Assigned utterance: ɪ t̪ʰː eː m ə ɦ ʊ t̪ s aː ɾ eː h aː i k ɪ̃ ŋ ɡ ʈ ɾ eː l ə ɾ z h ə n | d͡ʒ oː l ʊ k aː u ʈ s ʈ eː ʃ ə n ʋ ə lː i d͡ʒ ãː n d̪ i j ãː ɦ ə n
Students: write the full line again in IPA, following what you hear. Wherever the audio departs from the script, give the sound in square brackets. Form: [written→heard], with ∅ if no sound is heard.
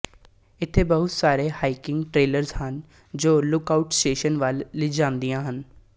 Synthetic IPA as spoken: ɪ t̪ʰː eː [m→b] ə ɦ ʊ t̪ s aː ɾ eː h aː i k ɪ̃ ŋ ɡ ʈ ɾ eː l ə ɾ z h ə n | d͡ʒ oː l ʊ k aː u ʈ s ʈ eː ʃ ə n ʋ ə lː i d͡ʒ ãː n d̪ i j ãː ɦ ə n